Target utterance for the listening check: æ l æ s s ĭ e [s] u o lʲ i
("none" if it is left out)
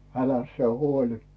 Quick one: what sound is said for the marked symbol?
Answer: h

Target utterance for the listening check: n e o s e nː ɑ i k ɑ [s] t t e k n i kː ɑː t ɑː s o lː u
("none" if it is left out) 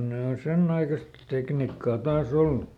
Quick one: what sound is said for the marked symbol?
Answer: s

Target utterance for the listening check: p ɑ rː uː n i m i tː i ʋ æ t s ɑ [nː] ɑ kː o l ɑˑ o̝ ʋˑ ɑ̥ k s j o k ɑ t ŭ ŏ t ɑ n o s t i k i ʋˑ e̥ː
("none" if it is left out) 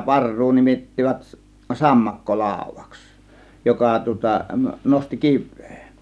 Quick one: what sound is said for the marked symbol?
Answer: mː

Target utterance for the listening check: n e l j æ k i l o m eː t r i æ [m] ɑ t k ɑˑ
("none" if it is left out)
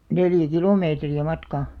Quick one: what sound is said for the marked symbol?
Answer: m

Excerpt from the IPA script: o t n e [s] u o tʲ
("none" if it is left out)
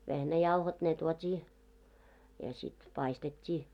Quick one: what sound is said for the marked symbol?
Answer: t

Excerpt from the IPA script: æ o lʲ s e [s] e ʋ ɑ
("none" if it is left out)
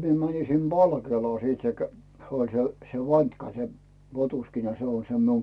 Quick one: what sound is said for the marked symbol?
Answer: s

